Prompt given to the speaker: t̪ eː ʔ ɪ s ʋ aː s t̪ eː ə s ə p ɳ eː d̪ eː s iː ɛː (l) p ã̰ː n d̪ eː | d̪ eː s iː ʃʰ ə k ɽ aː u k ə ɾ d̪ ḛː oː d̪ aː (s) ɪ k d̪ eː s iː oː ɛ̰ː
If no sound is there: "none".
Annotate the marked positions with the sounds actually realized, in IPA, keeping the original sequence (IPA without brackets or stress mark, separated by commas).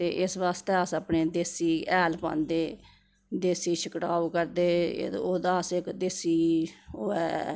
l, s